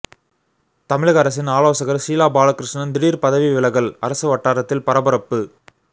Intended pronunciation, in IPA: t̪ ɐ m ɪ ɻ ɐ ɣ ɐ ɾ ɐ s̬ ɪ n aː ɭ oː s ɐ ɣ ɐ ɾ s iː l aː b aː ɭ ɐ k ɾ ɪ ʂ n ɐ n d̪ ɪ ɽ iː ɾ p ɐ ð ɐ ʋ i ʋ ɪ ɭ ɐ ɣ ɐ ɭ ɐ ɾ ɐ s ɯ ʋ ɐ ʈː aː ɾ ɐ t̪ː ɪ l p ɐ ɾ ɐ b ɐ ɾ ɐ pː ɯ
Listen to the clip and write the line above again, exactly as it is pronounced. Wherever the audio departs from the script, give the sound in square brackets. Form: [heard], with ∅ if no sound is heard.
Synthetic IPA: t̪ ɐ m ɪ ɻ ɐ ɣ ɐ ɾ ɐ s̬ ɪ n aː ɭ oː s ɐ ɣ ɐ ɾ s iː l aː b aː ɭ ɐ k ɾ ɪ ʂ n ɐ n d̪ ɪ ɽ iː ɾ p ɐ ð ɐ ʋ i ʋ ɪ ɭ ɐ ɣ ɐ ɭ ɐ ɾ ɐ s ɯ ʋ ɐ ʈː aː ɾ ɐ t̪ː ɪ l p ɐ ɾ ɐ b ɐ ɾ ɐ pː ɯ